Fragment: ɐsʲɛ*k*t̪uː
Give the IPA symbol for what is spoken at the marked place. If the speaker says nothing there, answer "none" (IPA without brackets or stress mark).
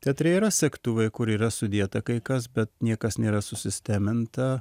k